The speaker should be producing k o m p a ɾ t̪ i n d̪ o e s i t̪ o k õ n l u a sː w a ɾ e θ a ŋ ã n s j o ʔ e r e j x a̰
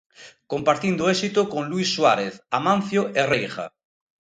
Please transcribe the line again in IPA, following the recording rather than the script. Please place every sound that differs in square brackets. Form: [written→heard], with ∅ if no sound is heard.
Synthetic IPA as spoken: k o m p a ɾ t̪ i n d̪ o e s i t̪ o k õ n l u [a→i] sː w a ɾ e θ a [ŋ→m] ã n [s→θ] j o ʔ e r e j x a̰